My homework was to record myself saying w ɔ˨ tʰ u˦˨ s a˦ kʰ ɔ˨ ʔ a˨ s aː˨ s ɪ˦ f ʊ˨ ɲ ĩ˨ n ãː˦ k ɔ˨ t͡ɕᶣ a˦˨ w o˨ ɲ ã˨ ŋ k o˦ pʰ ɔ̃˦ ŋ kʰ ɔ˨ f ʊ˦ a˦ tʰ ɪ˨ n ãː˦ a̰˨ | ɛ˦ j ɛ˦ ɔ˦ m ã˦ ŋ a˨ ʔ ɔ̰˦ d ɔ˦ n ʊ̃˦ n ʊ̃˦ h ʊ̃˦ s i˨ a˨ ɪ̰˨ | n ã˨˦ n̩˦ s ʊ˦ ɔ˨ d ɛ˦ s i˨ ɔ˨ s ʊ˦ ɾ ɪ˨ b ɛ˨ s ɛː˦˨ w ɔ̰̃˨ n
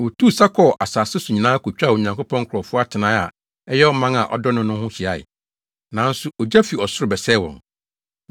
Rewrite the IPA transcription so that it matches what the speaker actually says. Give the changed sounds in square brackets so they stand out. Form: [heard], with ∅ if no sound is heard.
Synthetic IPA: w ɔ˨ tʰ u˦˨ s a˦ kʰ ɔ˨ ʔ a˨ s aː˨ s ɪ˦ [s] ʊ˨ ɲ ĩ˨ n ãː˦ k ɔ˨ t͡ɕᶣ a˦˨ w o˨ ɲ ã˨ ŋ k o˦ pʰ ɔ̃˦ ŋ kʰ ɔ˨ f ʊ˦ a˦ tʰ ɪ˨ n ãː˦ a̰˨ | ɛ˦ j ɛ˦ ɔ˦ m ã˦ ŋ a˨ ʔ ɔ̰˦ d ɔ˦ n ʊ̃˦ n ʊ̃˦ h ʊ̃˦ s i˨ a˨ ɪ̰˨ | n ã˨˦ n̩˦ s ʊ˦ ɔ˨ [d͡ʑ] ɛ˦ [f] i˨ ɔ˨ s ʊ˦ ɾ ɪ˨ b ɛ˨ s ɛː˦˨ w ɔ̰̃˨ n